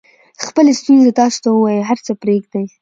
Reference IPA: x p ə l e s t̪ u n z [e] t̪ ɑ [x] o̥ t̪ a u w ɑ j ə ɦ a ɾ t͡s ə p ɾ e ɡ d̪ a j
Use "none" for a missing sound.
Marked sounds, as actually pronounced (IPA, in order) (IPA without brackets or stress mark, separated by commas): e, s